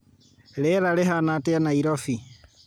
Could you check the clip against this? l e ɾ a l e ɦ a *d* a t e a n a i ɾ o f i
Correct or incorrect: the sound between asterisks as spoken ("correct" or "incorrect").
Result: incorrect